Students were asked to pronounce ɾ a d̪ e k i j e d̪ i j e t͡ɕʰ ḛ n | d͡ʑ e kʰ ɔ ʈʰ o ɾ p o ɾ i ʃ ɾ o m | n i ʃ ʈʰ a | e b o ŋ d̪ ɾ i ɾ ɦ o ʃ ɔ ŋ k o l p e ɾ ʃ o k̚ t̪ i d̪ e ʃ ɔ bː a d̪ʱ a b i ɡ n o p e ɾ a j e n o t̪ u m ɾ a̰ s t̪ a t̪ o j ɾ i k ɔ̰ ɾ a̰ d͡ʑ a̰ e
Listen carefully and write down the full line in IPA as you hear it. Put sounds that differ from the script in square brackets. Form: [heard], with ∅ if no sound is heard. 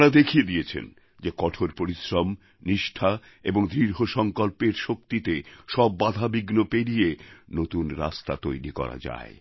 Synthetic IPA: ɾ a d̪ e [kʰ] i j e d̪ i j e t͡ɕʰ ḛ n | d͡ʑ e [k] ɔ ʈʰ o ɾ p o ɾ i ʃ ɾ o m | n i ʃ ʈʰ a | e b o ŋ d̪ ɾ i ɾ ɦ o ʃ ɔ ŋ k o l p e ɾ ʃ o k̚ t̪ i [t̪] e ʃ ɔ bː a d̪ʱ a b i ɡ n o p e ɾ [i] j e n o t̪ u [n] ɾ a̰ s t̪ a t̪ o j ɾ i k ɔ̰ ɾ a̰ d͡ʑ a̰ e